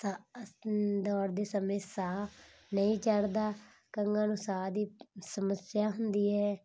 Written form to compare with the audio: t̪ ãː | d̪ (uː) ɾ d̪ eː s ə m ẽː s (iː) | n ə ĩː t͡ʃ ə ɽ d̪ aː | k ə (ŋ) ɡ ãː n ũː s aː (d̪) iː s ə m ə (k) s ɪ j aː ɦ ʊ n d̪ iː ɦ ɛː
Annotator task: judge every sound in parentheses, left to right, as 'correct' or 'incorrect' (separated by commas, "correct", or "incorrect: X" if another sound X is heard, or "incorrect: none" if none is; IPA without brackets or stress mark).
incorrect: ɔː, incorrect: aː, correct, correct, incorrect: none